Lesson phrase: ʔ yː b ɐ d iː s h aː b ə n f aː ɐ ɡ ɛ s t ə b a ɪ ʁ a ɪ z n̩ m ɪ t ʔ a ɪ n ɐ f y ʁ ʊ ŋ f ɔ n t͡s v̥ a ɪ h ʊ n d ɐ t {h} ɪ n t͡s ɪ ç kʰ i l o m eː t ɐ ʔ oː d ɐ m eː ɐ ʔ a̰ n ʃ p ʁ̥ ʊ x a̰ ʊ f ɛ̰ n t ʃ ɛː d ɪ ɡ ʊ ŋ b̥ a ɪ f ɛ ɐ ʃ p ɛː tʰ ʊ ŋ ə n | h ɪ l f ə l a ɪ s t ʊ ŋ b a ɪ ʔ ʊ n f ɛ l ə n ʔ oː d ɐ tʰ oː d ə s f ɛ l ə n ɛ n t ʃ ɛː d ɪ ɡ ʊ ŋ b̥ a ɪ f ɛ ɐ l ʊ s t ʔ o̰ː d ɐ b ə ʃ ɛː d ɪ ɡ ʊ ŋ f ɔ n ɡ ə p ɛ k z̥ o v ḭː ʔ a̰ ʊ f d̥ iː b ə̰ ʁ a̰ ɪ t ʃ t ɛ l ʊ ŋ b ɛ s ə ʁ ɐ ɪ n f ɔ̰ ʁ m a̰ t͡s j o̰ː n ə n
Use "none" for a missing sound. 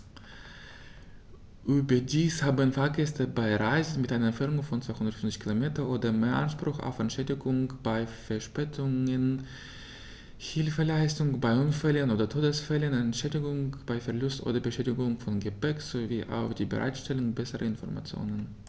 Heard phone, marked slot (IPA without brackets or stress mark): f